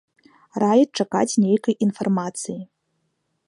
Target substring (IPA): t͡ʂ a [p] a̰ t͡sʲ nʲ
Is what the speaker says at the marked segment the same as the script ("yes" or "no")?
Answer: no